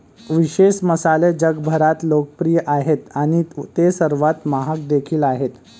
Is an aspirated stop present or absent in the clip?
present